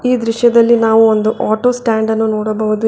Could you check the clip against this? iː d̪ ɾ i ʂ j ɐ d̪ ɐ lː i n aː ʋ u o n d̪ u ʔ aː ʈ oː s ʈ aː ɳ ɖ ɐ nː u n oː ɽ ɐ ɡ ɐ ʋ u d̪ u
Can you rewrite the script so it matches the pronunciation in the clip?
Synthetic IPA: iː d̪ ɾ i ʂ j ɐ d̪ ɐ lː i n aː ʋ u o n d̪ u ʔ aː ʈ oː s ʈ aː ɳ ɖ ɐ nː u n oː ɽ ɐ b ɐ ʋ u d̪ u

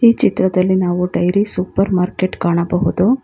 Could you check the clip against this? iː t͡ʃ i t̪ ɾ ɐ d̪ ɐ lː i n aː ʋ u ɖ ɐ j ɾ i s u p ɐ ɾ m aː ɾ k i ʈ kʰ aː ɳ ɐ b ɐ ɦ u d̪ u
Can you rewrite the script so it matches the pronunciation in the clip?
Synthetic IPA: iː t͡ʃ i t̪ ɾ ɐ d̪ ɐ lː i n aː ʋ u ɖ ɐ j ɾ i s u p ɐ ɾ m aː ɾ k e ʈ k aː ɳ ɐ b ɐ ɦ u d̪ u

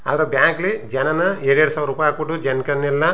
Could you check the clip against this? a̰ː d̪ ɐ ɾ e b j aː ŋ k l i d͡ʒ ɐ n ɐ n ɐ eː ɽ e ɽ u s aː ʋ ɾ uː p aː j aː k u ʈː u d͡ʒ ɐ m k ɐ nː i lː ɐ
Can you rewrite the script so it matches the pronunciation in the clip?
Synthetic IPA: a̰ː d̪ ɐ ɾ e b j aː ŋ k l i d͡ʒ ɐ n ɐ n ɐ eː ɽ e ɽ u s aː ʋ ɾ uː p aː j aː k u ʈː u d͡ʒ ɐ n k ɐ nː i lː ɐ

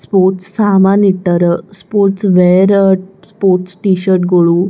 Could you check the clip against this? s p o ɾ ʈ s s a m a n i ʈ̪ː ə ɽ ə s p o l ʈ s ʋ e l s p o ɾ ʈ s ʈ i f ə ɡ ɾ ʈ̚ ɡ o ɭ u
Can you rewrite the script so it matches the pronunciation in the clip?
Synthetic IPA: s p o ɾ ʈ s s a m a n i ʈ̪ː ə ɾ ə s p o ɾ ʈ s ʋ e ɾ s p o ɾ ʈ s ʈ i ɕ ə ɾ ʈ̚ ɡ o ɭ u

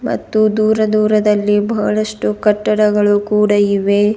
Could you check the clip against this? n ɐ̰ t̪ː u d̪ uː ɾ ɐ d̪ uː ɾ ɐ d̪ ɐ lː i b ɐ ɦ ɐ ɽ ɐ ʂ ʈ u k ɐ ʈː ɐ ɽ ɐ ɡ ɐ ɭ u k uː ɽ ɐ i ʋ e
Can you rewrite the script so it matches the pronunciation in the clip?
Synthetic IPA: m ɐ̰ t̪ː u d̪ uː ɾ ɐ d̪ uː ɾ ɐ d̪ ɐ lː i b ɐ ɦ ɐ ɭ ɐ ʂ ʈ u k ɐ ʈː ɐ ɽ ɐ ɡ ɐ ɭ u k uː ɽ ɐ i ʋ e

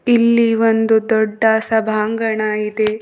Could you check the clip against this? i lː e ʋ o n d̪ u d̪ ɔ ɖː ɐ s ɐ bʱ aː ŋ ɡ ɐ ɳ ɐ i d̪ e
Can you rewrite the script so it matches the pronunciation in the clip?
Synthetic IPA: i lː i ʋ o n d̪ u d̪ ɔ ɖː ɐ s ɐ bʱ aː ŋ ɡ ɐ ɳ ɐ i d̪ e

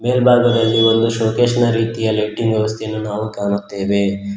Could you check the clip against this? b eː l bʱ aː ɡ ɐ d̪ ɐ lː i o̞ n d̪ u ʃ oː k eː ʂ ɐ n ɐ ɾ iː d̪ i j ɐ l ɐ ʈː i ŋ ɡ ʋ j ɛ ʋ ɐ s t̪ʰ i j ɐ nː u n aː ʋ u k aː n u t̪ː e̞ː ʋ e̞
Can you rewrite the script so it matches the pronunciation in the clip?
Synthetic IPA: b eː l bʱ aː ɡ ɐ d̪ ɐ lː i o̞ n d̪ u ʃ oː k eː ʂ ɐ n ɐ ɾ iː t̪ i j ɐ l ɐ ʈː i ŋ ɡ ʋ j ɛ ʋ ɐ s t̪ʰ e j ɐ nː u n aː ʋ u k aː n u t̪ː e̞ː ʋ e̞

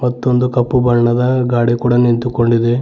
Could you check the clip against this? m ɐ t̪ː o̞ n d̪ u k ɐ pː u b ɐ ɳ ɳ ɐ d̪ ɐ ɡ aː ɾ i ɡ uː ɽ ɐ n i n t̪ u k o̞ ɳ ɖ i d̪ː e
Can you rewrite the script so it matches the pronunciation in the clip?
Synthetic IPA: m ɐ t̪ː o̞ n d̪ u k ɐ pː u b ɐ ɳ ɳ ɐ d̪ ɐ ɡ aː ɽ i k uː ɽ ɐ n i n t̪ u k o̞ ɳ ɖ i d̪ e

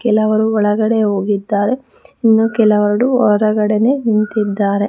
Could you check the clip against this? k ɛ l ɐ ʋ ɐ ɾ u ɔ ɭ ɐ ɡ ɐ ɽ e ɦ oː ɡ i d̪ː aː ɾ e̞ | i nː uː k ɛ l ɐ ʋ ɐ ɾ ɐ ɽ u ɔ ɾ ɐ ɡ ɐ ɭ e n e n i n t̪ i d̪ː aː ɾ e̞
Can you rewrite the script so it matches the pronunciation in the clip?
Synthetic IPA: k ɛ l ɐ ʋ ɐ ɾ u ɔ ɭ ɐ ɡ ɐ ɽ e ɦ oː ɡ i d̪ː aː ɾ e̞ | i nː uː k ɛ l ɐ ʋ ɐ ɾ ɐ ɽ u ɔ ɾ ɐ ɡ ɐ ɽ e n e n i n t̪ i d̪ː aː ɾ e̞

